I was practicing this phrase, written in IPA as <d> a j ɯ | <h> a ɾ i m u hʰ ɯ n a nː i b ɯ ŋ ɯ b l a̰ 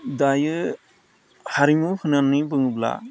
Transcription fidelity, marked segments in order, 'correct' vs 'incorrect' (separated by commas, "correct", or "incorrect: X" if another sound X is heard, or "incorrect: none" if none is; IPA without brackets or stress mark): correct, correct